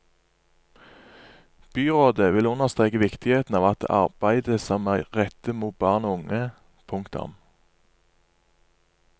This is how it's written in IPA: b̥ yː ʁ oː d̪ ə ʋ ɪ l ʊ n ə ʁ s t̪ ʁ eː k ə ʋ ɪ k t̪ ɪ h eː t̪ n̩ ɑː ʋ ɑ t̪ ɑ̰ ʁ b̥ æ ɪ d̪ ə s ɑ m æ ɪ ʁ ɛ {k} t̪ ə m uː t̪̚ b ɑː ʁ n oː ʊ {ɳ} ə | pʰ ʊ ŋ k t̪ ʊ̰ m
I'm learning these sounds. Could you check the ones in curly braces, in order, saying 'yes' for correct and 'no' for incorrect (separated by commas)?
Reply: no, no